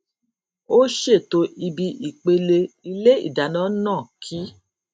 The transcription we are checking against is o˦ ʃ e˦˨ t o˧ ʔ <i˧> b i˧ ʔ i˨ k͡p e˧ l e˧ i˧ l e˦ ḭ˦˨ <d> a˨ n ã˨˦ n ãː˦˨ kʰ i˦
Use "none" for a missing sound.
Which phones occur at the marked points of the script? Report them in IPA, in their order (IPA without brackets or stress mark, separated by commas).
i˧, d